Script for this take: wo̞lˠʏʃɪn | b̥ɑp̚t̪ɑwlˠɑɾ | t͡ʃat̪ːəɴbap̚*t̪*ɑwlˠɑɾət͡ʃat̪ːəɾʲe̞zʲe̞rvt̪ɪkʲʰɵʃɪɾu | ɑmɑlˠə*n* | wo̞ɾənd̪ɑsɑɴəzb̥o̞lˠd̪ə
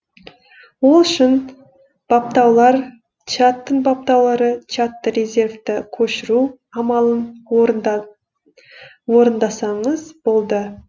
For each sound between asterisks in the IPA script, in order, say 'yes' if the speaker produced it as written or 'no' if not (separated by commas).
yes, yes